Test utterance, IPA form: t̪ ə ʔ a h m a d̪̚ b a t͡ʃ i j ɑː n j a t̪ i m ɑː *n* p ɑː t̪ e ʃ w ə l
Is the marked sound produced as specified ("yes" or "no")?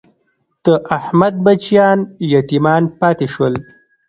yes